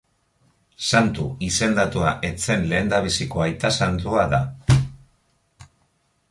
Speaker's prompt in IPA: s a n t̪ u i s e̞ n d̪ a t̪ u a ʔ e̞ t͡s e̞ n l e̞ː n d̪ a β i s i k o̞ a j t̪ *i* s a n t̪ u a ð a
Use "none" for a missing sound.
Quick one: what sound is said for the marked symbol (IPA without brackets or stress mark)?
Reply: a